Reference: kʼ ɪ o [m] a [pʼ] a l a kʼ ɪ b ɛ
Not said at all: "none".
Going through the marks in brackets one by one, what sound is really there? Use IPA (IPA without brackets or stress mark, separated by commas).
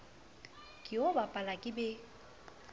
b, pʼ